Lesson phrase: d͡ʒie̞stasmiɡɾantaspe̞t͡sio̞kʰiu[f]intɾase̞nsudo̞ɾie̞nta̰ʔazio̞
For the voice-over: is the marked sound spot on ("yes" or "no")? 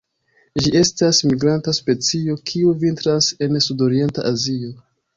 no